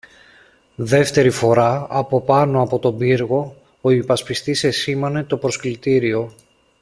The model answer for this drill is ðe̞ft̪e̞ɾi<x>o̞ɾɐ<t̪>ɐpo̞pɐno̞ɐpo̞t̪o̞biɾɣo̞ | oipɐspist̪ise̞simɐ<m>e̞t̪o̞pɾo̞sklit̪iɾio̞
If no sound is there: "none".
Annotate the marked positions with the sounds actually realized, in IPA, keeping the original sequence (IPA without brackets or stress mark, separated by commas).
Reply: f, none, n